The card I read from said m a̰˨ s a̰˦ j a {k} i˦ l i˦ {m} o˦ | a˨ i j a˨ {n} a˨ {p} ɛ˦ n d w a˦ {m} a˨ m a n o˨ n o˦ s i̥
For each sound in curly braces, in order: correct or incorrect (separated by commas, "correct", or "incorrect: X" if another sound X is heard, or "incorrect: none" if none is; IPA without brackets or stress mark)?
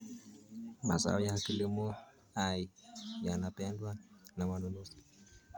correct, correct, correct, correct, incorrect: n